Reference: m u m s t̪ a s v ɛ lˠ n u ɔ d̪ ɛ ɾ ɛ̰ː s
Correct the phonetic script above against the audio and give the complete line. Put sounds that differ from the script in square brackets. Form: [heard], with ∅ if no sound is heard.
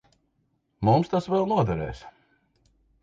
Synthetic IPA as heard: m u m s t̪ a s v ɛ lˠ n u ɔ d̪ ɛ ɾ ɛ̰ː s